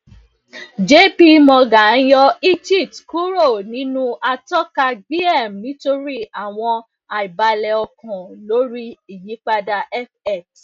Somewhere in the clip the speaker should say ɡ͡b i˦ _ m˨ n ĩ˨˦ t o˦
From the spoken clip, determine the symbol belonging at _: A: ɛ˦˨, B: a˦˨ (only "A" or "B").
A